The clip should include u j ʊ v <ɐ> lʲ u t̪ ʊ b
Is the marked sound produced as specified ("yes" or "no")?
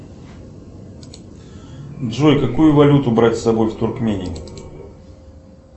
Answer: yes